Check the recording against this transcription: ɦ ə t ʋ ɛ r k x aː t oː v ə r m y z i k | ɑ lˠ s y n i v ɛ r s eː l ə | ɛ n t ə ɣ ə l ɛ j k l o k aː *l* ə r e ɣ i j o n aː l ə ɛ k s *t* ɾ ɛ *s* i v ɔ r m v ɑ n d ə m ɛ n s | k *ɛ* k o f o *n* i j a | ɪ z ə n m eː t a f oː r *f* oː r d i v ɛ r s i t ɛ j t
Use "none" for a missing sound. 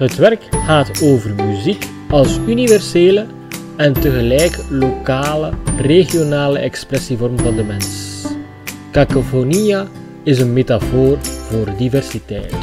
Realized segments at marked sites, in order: l, p, s, a, n, v

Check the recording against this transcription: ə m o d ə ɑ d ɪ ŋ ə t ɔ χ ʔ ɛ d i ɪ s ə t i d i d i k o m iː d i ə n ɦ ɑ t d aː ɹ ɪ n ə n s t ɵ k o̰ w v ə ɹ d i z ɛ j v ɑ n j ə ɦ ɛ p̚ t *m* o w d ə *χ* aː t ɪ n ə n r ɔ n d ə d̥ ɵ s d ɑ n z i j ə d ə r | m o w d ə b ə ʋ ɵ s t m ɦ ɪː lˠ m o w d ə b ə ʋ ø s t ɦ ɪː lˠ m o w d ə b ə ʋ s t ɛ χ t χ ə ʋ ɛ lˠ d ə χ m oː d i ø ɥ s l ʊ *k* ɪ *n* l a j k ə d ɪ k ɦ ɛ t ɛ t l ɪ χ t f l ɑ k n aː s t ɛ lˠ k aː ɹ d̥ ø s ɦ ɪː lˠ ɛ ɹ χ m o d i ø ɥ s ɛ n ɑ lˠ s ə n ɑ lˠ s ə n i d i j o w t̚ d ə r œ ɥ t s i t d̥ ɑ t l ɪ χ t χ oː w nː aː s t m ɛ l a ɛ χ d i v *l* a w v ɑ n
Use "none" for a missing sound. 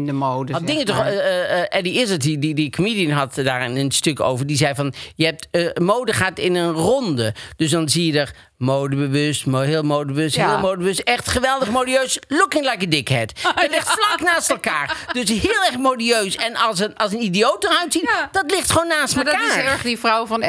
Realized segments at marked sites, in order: m, χ, k, ŋ, r

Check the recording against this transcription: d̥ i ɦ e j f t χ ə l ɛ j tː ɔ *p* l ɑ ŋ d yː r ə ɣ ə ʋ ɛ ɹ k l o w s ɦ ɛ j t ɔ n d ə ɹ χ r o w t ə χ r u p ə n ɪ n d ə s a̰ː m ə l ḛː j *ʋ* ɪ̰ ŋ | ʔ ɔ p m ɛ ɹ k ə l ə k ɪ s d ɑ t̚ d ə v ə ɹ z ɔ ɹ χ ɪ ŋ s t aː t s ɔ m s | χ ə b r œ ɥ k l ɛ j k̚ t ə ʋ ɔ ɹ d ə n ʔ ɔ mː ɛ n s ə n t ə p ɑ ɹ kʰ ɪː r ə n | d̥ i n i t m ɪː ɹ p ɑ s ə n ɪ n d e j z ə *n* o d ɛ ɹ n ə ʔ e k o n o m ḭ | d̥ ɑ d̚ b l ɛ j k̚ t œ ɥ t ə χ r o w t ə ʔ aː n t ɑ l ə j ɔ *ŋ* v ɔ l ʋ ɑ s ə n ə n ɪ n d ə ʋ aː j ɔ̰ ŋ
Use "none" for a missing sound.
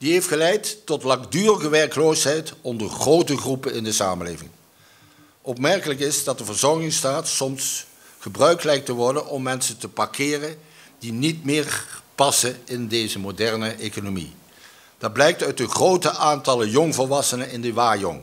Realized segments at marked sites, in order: t, v, m, ŋ

